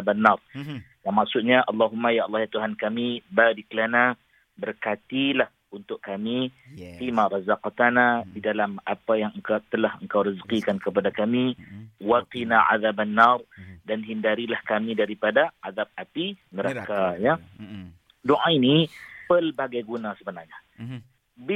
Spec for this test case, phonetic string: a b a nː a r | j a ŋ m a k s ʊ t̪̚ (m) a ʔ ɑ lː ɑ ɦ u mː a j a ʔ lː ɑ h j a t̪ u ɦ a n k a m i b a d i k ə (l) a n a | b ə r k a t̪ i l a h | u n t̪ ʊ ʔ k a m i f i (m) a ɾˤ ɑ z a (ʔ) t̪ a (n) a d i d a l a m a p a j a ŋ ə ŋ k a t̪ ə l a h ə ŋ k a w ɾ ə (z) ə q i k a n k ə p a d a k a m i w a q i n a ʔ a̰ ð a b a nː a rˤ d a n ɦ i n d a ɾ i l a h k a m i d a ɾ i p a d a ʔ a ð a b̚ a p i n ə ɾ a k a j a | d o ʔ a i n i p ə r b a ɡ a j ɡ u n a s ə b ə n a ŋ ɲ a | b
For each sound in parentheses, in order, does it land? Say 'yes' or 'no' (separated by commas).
no, yes, yes, no, yes, yes